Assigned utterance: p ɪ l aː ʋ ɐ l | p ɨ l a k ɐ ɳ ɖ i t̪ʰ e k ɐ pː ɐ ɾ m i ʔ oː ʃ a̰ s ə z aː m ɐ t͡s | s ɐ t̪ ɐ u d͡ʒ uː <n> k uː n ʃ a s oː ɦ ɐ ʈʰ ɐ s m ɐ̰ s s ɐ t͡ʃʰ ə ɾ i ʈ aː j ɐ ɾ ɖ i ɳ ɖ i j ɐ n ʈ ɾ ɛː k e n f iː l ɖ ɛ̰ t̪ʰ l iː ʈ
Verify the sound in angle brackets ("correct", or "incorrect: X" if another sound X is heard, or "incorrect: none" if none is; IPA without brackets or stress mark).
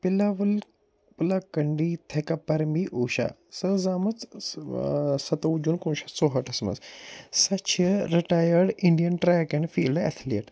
correct